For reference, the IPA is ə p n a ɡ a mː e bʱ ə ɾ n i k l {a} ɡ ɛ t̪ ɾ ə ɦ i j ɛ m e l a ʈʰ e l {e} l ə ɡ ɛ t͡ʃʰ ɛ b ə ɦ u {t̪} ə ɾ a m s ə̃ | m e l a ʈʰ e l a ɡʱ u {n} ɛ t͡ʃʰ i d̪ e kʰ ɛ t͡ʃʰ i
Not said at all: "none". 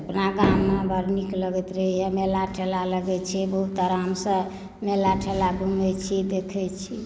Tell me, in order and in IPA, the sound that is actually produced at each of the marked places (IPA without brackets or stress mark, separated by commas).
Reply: ə, a, t̪, m